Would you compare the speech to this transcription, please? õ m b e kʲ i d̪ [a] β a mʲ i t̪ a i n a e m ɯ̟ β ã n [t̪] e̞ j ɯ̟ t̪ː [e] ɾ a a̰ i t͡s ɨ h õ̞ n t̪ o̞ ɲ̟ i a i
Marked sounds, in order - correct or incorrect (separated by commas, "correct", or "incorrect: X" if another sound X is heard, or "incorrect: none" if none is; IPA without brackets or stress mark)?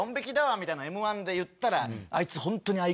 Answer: correct, incorrect: d̪, incorrect: a